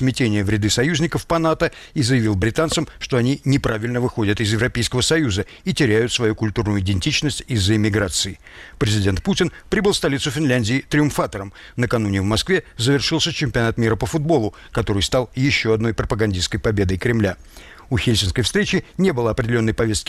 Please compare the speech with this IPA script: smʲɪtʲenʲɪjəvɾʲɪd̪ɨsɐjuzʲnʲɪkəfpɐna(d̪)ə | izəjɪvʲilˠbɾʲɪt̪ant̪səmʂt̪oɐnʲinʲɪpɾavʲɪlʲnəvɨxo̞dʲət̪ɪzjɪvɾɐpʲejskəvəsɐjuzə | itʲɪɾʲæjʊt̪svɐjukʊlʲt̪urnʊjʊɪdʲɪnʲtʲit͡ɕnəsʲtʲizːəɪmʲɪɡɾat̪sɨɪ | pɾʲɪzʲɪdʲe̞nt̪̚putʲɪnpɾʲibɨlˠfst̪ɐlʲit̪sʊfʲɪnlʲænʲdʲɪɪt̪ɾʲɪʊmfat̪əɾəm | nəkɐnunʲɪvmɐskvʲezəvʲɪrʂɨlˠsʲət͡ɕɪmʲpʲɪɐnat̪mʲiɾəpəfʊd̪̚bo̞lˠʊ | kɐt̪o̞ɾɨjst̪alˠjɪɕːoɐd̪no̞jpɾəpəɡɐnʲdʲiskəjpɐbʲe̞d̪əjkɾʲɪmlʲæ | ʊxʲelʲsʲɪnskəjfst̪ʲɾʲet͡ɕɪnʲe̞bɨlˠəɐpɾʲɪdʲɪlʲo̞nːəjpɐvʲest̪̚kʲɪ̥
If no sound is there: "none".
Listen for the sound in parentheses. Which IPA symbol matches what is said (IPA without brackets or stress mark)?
t̪